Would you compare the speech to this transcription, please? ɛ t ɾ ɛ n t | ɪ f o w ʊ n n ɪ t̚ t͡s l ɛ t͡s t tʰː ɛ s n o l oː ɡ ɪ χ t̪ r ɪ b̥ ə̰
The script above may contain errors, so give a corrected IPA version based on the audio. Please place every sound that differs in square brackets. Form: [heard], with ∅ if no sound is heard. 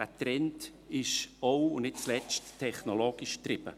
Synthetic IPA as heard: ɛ t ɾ ɛ n t | ɪ [ʃ] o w ʊ n n ɪ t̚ t͡s l ɛ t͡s t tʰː ɛ [χ] n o l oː ɡ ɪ [ʃ] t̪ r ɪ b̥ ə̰